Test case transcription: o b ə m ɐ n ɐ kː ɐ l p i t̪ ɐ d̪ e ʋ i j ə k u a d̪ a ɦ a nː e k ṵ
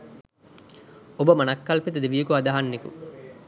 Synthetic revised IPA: o b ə m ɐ n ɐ kː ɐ l p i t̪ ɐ d̪ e ʋ i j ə k u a d̪ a ɦ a nː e k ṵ